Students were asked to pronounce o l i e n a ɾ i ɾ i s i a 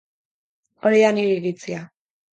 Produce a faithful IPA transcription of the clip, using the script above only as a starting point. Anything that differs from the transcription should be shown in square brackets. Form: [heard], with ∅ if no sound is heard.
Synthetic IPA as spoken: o [ɾ] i [a] n [i] ɾ i ɾ i [t͡s] i a

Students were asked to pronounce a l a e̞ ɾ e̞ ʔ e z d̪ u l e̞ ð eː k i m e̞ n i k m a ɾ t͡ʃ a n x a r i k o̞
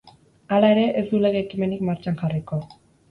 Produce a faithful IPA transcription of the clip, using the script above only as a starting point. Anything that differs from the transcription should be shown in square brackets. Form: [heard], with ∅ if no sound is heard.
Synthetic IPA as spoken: a l a e̞ ɾ e̞ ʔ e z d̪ u l e̞ [ɣ] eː k i m e̞ n i k m a ɾ t͡ʃ a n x a r i k o̞

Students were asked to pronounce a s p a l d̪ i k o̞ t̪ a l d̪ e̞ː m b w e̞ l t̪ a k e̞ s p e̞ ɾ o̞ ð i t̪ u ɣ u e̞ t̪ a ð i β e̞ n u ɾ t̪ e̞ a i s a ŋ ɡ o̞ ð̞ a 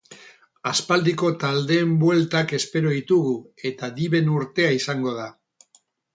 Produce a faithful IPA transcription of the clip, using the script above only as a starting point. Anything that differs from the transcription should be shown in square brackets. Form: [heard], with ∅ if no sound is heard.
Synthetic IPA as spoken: a s p a l d̪ i k o̞ t̪ a l d̪ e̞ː m b w e̞ l t̪ a k e̞ s p e̞ ɾ o̞ ð i t̪ u ɣ u e̞ t̪ a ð i β e̞ n u ɾ t̪ e̞ a i s a ŋ ɡ o̞ ð̞ a

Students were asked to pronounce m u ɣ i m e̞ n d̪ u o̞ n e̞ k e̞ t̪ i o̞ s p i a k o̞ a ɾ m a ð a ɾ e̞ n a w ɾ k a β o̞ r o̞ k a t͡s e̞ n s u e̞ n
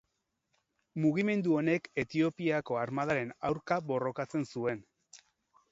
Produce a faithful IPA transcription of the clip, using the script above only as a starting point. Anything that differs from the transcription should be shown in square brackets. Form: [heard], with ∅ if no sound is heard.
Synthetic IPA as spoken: m u ɣ i m e̞ n d̪ u o̞ n e̞ k e̞ t̪ i o̞ [∅] p i a k o̞ a ɾ m a ð a ɾ e̞ n a w ɾ k a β o̞ r o̞ k a t͡s e̞ n s u e̞ n

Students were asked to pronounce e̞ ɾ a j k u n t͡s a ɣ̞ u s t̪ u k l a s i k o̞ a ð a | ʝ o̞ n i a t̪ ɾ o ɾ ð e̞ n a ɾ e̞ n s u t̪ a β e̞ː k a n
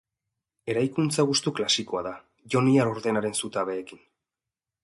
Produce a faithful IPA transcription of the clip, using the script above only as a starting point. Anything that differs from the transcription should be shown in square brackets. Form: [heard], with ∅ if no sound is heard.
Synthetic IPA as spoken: e̞ ɾ a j k u n t͡s a ɣ̞ u s t̪ u k l a s i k o̞ a ð a | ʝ o̞ n i a [∅] ɾ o ɾ ð e̞ n a ɾ e̞ n s u t̪ a β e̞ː k [i] n

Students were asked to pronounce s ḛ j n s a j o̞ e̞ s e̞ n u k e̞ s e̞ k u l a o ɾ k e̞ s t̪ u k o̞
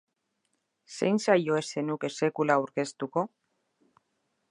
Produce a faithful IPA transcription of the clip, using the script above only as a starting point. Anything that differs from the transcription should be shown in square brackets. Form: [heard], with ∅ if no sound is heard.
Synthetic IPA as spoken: s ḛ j n s a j o̞ e̞ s e̞ n u k e̞ s e̞ k u l a [u] ɾ k e̞ s t̪ u k o̞

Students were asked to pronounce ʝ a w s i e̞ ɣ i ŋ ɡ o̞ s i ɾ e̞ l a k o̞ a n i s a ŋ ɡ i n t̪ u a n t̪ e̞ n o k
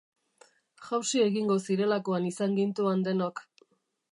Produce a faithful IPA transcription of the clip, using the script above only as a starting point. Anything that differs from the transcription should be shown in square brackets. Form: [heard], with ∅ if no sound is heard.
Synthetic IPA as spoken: ʝ a w s i e̞ ɣ i ŋ ɡ o̞ s i ɾ e̞ l a k o̞ a n i s a ŋ ɡ i n t̪ u a n [d̪] e̞ n o k

